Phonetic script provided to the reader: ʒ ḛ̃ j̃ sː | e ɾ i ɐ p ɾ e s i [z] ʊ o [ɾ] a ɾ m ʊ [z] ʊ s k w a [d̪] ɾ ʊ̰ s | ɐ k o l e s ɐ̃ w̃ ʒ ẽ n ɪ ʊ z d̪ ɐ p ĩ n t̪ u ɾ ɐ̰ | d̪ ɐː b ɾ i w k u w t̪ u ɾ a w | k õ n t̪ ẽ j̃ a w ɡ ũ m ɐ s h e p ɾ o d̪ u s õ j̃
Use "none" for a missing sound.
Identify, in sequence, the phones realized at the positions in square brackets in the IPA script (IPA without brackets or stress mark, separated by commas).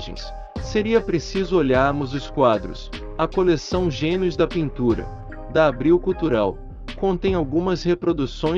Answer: z, ʎ, z, d̪